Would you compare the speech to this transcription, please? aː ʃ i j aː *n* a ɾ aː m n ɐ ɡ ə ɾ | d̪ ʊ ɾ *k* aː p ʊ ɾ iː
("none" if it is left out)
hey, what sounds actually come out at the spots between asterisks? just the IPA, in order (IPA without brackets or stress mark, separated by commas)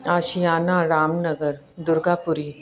n, ɡ